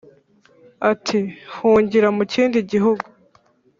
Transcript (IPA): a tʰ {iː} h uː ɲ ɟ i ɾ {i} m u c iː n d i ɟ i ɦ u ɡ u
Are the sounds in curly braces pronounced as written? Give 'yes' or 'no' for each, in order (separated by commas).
no, no